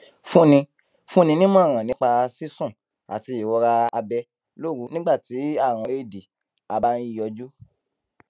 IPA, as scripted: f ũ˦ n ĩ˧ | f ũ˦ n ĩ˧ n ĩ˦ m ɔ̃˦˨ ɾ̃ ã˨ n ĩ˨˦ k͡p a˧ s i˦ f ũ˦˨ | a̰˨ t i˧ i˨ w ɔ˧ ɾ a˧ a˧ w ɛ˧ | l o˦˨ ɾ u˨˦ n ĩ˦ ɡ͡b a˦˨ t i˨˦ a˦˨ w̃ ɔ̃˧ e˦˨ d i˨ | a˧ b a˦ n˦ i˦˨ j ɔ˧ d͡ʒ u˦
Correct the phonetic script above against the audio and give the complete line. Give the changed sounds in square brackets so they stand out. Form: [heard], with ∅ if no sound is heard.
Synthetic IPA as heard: f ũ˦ n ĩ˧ | f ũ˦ n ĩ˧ n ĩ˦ m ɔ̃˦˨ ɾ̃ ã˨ n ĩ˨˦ k͡p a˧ s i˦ [s] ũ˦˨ | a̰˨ t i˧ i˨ w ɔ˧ ɾ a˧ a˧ [b] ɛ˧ | l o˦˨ ɾ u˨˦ n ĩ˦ ɡ͡b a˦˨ t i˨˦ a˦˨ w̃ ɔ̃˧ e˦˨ d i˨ | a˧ b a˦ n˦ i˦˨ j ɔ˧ d͡ʒ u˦